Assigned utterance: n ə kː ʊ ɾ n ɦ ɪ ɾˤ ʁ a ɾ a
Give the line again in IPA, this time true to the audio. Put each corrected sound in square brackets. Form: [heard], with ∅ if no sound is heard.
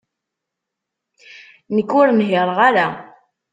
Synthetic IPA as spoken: n ə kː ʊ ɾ n ɦ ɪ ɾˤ ʁ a ɾ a